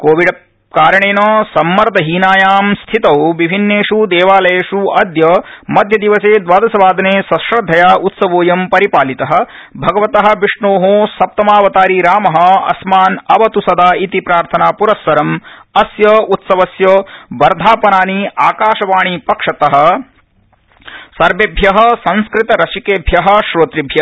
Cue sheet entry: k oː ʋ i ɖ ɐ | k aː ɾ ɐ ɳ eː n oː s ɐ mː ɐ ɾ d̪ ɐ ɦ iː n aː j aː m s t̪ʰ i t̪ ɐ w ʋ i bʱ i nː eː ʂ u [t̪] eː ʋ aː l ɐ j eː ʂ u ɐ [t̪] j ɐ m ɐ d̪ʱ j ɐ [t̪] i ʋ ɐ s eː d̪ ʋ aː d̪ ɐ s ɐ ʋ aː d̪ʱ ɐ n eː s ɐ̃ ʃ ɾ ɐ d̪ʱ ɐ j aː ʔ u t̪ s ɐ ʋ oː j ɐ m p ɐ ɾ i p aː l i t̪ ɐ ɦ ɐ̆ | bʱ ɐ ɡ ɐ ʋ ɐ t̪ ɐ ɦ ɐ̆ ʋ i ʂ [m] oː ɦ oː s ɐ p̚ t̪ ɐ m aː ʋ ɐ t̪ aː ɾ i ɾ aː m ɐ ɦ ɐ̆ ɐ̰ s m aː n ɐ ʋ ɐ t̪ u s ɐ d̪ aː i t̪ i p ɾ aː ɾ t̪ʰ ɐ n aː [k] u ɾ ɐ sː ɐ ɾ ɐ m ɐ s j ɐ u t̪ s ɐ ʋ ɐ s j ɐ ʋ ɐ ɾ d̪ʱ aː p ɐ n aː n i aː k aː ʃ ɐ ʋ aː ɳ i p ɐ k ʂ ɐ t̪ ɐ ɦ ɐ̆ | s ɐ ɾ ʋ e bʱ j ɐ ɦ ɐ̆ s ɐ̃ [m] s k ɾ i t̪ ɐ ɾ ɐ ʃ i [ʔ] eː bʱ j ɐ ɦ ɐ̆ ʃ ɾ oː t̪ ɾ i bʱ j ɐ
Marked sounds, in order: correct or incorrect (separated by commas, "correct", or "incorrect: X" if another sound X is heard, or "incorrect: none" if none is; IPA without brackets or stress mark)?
incorrect: d̪, incorrect: d̪, incorrect: d̪, incorrect: ɳ, incorrect: p, incorrect: n, incorrect: k